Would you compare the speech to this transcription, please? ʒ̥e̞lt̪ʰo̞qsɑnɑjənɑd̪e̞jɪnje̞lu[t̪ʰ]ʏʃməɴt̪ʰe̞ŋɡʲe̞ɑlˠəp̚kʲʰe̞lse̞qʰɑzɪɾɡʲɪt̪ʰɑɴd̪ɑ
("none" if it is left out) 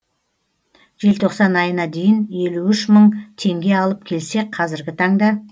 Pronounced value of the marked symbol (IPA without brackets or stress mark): none